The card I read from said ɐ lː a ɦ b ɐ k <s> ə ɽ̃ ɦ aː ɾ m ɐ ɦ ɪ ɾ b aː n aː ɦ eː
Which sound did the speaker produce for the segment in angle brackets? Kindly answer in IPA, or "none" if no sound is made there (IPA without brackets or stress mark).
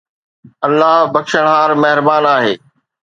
ʃ